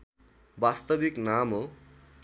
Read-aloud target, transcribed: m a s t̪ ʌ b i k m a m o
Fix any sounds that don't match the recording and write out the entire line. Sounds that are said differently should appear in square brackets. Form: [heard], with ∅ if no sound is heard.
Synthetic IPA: [b] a s t̪ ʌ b i k [n] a m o